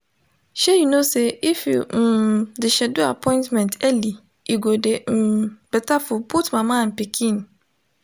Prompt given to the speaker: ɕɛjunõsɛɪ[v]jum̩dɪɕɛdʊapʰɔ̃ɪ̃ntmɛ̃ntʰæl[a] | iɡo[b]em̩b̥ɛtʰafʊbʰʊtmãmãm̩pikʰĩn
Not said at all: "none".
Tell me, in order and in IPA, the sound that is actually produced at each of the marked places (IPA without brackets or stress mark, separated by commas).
f, i, d